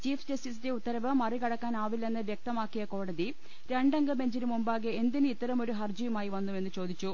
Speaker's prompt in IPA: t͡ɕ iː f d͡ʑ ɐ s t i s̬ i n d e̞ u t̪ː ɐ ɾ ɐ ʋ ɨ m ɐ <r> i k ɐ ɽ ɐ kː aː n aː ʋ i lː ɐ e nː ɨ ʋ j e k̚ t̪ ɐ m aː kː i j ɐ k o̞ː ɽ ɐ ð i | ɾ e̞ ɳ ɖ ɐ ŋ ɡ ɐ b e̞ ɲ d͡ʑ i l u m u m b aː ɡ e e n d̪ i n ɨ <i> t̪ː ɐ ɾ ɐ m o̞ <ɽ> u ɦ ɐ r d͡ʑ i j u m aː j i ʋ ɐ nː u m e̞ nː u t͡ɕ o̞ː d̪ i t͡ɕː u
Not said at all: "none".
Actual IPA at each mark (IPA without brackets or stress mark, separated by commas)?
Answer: r, i, ɾ